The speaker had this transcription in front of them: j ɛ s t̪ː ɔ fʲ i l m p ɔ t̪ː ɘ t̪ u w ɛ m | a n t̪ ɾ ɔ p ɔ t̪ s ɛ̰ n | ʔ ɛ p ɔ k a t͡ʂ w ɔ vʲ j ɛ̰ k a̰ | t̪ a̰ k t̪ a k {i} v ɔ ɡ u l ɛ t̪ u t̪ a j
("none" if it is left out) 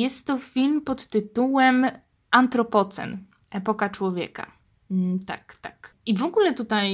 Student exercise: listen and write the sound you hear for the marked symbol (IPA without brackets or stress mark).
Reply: i